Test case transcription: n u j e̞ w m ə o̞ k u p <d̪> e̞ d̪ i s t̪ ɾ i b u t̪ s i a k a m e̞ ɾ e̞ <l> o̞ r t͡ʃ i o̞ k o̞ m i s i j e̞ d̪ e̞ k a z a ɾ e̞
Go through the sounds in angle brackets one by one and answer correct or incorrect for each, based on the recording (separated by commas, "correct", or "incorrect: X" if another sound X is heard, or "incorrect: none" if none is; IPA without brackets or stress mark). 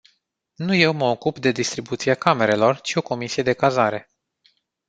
correct, correct